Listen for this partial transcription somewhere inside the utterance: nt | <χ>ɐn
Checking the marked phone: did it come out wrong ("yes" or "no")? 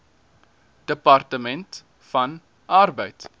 yes